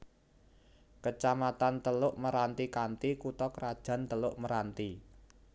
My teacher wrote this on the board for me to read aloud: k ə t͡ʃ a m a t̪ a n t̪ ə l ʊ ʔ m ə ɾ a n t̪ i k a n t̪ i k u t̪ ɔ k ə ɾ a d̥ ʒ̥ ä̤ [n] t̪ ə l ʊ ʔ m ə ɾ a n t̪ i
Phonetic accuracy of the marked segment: correct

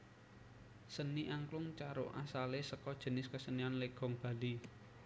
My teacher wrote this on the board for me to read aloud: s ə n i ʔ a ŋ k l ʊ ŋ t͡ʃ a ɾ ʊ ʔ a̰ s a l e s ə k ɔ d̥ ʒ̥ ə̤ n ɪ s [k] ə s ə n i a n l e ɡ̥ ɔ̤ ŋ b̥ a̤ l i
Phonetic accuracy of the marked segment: correct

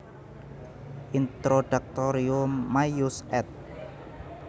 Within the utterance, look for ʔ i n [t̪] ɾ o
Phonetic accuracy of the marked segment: correct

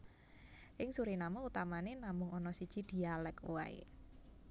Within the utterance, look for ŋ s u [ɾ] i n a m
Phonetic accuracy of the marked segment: correct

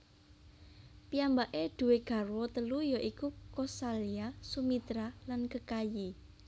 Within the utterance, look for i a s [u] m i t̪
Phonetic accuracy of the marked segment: correct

